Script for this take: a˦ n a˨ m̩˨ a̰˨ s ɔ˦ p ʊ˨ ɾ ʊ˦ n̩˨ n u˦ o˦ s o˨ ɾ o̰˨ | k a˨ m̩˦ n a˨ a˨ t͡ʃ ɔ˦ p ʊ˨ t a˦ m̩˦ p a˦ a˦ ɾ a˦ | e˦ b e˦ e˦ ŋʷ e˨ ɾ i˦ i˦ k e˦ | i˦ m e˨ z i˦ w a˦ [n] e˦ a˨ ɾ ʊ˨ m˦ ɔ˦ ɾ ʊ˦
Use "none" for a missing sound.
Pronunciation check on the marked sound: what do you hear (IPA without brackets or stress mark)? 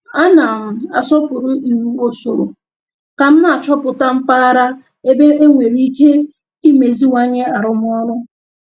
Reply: ɲ